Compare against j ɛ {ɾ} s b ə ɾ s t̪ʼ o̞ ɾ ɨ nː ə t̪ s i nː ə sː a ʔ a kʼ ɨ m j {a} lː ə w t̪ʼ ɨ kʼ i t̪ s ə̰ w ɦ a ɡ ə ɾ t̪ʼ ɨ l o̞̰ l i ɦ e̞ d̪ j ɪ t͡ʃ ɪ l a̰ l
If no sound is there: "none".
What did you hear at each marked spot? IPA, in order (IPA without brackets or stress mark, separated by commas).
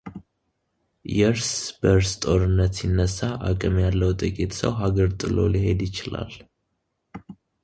ɾ, a